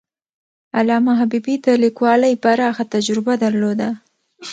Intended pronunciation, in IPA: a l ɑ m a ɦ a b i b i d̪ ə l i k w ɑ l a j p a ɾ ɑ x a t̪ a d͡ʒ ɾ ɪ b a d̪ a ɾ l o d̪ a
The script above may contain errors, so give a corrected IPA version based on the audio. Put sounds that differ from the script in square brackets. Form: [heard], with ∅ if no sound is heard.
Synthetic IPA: a l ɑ m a ɦ a b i b i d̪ ə l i k w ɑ l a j p a ɾ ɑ x a t̪ a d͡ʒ ɾ ɪ b a d̪ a ɾ l o d̪ a